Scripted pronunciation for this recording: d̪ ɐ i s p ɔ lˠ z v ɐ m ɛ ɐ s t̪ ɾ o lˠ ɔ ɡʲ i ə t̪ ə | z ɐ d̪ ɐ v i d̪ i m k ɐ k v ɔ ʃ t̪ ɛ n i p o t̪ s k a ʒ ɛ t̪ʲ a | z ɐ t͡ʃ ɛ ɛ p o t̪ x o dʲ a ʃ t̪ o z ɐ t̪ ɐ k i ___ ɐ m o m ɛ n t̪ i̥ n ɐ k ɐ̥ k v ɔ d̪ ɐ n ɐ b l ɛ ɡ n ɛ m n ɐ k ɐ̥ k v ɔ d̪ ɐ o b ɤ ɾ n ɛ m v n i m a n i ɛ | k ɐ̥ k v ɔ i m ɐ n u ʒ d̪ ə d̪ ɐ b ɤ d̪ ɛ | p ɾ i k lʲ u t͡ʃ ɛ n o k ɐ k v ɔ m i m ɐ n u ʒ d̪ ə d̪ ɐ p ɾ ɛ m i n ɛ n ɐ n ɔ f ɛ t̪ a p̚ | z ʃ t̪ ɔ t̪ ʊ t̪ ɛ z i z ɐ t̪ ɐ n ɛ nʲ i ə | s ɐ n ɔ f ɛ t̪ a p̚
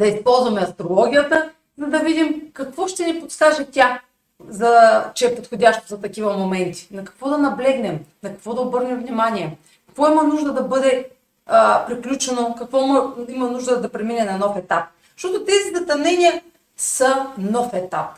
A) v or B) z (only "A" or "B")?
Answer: A